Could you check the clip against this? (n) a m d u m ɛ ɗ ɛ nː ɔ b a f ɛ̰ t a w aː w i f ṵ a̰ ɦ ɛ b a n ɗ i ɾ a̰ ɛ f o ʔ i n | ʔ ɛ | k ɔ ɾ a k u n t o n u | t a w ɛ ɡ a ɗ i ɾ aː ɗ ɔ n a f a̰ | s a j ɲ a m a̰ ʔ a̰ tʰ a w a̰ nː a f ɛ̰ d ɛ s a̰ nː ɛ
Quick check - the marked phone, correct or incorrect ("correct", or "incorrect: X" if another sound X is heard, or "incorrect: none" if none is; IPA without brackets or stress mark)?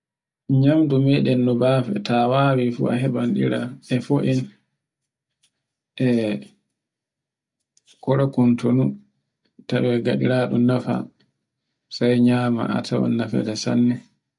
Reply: incorrect: ɲ